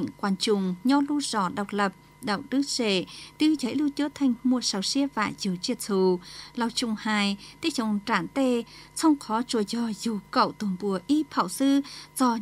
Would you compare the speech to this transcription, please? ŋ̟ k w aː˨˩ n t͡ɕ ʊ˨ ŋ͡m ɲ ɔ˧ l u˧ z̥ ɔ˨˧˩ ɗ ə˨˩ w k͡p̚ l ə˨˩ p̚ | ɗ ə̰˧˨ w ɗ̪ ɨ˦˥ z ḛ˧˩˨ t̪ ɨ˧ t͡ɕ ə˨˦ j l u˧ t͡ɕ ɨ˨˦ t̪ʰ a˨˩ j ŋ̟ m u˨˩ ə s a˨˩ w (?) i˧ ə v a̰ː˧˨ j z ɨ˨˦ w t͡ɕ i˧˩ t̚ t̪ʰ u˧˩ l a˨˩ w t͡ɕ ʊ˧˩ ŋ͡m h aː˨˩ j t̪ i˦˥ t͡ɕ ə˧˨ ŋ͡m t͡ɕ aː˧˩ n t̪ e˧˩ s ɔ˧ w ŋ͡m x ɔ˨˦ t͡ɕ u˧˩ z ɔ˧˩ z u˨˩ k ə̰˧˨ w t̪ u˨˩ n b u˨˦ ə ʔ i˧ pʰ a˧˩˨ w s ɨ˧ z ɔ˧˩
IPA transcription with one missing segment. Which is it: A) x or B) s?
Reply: B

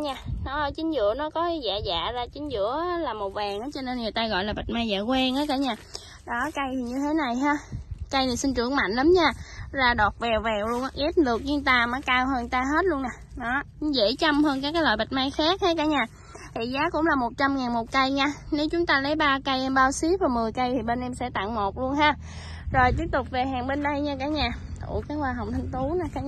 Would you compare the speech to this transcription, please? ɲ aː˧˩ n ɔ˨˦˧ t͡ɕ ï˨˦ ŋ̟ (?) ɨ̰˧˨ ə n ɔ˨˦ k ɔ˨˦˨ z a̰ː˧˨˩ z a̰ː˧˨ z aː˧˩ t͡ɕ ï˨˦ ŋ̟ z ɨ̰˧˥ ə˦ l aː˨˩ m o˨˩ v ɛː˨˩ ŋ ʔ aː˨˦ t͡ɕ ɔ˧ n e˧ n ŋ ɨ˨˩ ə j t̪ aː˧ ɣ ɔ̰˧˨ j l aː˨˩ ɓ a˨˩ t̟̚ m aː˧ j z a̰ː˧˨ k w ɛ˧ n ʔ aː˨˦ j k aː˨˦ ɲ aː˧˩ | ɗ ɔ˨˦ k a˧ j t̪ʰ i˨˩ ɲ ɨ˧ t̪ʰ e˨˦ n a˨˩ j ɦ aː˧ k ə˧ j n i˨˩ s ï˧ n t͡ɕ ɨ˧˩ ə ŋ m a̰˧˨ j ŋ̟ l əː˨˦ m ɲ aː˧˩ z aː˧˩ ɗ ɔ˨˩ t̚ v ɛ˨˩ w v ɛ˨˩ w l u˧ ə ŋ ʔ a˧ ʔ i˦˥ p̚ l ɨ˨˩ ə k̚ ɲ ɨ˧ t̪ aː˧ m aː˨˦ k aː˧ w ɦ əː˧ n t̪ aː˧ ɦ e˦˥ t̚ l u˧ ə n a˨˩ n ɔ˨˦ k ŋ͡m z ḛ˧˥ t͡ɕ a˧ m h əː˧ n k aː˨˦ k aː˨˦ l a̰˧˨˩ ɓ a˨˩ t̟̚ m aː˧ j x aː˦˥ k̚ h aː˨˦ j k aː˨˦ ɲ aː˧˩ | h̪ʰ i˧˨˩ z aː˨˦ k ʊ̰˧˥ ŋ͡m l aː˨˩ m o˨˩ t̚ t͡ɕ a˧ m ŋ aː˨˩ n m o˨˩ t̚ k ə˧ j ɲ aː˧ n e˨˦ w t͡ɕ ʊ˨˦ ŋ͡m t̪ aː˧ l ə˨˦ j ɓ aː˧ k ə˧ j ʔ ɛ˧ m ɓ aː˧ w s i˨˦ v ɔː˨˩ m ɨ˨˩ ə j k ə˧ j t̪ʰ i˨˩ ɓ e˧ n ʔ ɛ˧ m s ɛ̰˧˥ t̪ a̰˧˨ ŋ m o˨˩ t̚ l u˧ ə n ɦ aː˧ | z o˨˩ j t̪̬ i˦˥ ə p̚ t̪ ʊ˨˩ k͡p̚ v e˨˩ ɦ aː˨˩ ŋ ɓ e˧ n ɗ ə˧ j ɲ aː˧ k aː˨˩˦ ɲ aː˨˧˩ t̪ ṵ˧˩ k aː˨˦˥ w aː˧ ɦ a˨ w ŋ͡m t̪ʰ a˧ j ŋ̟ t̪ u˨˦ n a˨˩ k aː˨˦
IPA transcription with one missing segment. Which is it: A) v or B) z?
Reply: B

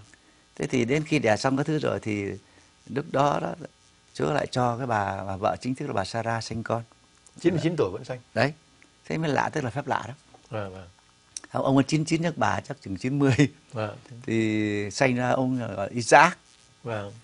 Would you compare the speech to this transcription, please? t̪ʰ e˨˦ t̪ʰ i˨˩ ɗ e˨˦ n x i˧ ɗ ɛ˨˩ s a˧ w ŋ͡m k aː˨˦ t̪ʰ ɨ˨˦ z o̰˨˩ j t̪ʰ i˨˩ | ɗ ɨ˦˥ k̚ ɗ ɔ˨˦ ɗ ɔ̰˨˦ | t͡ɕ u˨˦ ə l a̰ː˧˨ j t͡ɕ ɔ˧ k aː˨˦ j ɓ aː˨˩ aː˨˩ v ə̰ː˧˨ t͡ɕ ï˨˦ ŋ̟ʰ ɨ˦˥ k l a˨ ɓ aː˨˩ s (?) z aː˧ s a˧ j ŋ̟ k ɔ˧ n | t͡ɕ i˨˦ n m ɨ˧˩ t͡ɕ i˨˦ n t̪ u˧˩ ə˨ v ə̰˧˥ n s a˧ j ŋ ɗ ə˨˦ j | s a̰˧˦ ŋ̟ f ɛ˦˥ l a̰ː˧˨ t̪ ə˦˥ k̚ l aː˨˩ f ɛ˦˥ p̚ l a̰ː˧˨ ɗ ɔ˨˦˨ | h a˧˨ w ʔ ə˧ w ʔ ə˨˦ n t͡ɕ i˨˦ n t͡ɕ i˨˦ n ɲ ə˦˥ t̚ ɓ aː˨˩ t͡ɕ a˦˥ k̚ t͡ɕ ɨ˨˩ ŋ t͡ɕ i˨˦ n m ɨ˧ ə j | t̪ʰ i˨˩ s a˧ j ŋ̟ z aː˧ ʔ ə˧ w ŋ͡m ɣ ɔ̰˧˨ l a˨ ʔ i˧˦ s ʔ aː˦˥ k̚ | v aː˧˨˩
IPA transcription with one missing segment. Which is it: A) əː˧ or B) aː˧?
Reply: B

